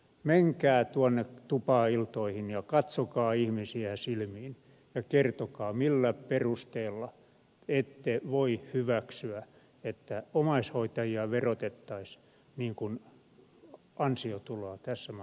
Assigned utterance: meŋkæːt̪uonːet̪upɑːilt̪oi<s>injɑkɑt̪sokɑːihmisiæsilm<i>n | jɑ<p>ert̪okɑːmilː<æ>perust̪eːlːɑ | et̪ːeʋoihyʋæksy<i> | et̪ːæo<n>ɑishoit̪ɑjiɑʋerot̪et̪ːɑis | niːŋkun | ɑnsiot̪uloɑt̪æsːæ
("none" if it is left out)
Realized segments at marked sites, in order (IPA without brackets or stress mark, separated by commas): h, iː, k, æ, æ, m